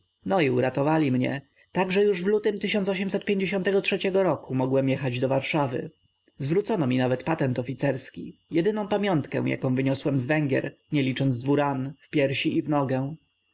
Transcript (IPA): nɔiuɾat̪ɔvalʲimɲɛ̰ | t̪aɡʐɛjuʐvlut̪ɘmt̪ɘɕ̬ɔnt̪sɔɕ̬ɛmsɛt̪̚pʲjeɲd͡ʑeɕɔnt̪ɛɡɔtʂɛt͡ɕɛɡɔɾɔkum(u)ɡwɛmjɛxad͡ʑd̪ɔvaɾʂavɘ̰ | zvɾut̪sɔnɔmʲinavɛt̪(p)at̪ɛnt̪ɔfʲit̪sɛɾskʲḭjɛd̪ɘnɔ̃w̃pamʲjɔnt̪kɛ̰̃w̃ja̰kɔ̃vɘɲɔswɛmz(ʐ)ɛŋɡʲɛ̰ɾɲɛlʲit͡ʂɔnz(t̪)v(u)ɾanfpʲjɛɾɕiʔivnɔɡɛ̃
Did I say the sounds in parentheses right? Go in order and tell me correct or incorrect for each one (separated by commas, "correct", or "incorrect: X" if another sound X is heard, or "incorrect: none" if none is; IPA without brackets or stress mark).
incorrect: ɔ, correct, incorrect: v, incorrect: d̪, correct